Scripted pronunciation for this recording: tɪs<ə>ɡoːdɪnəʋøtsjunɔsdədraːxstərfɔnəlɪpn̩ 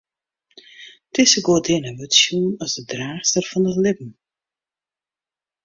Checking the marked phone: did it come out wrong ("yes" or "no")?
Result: no